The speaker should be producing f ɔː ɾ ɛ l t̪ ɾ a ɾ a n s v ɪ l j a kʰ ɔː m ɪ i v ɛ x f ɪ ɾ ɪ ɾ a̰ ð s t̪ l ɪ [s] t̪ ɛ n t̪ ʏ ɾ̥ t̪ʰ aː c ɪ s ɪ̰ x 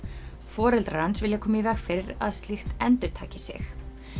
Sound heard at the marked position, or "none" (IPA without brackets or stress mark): x